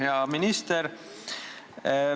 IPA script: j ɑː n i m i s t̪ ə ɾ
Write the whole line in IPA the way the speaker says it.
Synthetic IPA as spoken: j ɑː m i n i s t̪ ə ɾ